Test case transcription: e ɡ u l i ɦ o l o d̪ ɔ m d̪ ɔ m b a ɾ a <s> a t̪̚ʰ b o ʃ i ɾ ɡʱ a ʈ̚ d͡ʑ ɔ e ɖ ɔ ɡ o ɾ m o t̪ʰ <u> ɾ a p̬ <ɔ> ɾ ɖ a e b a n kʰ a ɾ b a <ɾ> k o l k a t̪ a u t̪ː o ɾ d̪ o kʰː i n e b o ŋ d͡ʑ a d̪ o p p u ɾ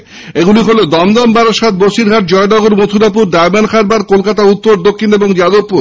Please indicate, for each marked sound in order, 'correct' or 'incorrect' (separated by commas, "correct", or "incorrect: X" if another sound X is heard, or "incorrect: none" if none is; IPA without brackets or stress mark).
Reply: incorrect: ʃ, correct, incorrect: u, correct